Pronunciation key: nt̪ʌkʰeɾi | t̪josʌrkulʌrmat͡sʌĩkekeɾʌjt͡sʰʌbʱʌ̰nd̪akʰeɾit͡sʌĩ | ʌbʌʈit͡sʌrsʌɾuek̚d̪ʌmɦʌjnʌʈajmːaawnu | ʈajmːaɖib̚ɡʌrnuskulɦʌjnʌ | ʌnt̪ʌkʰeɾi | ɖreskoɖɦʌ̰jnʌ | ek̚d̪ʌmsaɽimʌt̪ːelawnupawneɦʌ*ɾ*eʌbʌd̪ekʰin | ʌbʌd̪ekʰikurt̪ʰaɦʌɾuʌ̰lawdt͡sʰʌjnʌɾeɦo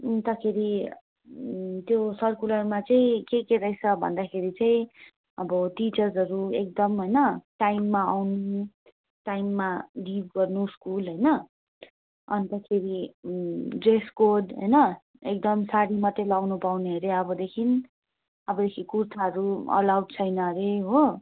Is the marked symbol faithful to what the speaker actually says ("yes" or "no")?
yes